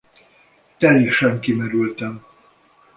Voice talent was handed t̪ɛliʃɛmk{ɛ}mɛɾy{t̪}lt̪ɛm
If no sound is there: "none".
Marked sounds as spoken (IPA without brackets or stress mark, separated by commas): i, none